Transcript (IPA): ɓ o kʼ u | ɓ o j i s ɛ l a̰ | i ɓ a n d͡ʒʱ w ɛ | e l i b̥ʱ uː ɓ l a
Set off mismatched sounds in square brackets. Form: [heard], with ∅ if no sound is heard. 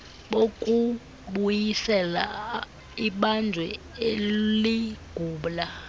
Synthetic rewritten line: ɓ o kʼ u | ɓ [u] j i s ɛ l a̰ | i ɓ a n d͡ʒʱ w ɛ | e l i [ɡ̥ʱ] uː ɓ l a